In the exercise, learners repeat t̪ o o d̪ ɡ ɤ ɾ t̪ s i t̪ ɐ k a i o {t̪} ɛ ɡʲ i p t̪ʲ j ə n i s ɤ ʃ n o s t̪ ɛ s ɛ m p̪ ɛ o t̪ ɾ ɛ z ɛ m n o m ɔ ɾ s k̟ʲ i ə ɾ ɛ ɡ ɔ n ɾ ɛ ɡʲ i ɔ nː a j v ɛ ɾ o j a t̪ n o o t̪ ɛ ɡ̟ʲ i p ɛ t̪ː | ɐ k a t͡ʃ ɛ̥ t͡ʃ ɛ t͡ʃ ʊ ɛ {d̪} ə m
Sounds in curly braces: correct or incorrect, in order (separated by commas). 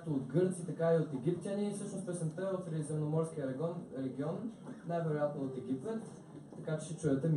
correct, incorrect